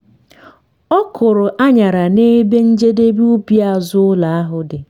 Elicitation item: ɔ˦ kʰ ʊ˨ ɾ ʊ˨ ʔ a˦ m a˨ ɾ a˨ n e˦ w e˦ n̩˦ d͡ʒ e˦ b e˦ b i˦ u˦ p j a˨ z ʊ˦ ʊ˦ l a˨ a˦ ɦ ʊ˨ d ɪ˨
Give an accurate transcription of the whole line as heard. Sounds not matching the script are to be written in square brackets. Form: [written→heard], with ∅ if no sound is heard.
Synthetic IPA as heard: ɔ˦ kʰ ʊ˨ ɾ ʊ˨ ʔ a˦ [m→ɲ] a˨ ɾ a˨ n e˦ [w→b] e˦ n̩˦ d͡ʒ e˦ [b→d] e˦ b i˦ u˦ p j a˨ z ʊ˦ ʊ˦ l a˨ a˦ ɦ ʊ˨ d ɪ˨